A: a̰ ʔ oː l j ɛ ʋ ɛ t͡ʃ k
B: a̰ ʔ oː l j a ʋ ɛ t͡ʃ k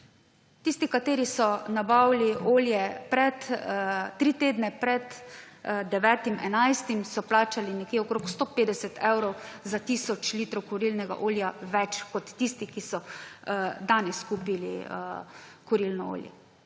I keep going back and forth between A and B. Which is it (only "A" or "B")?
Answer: B